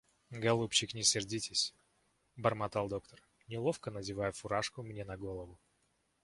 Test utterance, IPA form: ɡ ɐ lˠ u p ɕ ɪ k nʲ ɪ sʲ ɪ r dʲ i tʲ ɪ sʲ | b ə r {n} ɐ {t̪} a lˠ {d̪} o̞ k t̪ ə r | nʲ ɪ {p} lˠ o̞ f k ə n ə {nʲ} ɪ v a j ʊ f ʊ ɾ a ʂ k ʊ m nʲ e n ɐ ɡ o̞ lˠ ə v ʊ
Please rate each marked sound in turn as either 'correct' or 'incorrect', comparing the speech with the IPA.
incorrect: m, correct, correct, incorrect: none, incorrect: dʲ

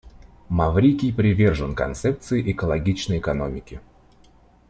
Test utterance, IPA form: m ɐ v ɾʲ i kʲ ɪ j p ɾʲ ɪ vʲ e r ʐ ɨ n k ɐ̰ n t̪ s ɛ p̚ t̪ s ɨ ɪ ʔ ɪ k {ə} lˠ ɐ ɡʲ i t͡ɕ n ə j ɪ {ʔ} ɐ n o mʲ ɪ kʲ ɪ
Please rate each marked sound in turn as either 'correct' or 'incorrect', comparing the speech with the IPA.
correct, incorrect: k

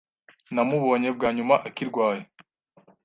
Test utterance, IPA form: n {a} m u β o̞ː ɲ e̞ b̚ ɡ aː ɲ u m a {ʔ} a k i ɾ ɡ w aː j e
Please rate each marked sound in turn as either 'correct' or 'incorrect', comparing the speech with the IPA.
correct, correct

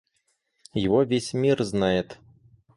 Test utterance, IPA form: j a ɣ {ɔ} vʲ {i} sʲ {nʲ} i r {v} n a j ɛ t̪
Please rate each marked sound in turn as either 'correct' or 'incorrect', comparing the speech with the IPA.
correct, incorrect: e, incorrect: mʲ, incorrect: z

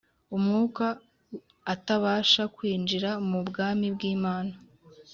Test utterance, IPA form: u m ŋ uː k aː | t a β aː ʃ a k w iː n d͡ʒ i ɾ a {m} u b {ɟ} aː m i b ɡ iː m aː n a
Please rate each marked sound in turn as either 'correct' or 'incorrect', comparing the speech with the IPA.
correct, incorrect: ɡ

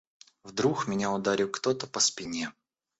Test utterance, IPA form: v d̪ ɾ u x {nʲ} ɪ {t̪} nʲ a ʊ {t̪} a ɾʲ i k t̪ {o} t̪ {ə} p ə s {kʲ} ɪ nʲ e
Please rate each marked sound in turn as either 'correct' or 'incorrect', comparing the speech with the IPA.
incorrect: mʲ, incorrect: none, incorrect: d̪, correct, correct, incorrect: pʲ

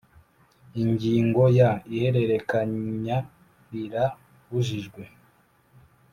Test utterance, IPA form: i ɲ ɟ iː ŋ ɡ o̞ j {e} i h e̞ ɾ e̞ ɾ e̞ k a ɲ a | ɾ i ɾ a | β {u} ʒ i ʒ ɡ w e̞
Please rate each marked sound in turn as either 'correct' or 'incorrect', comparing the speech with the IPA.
incorrect: a, correct

